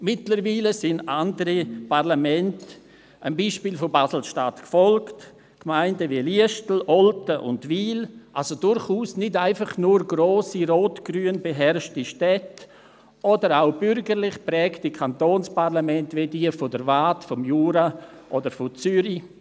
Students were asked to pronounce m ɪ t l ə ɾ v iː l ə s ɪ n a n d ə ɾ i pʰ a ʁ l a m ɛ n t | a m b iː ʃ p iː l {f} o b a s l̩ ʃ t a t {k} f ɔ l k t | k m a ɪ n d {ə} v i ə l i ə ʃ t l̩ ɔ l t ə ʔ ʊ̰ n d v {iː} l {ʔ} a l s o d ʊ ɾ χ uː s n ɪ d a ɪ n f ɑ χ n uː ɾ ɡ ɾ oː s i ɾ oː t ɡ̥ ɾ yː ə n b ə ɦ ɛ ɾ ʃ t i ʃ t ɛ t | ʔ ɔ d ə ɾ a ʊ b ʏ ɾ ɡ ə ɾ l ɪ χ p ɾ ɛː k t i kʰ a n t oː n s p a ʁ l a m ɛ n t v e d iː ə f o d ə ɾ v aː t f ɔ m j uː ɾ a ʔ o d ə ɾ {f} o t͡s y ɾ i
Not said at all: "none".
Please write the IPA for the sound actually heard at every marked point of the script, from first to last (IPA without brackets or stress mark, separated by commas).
f, k, ə, iː, ʔ, f